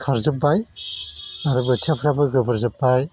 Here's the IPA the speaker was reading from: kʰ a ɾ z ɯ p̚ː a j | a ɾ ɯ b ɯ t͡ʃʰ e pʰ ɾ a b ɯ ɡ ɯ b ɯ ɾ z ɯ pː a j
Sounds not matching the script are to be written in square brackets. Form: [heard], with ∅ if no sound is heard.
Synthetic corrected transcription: kʰ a ɾ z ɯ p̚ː a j | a ɾ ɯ b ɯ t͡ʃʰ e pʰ ɾ a b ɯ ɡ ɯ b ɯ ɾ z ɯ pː a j

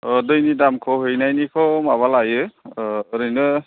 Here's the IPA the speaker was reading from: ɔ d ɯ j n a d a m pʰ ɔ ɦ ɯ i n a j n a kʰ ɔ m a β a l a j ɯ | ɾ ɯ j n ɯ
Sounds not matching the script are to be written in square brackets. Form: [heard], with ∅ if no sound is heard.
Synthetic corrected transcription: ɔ d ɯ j n [i] d a m [kʰ] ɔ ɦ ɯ [j] n a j n [i] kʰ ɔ m a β a l a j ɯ | ɾ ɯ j n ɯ

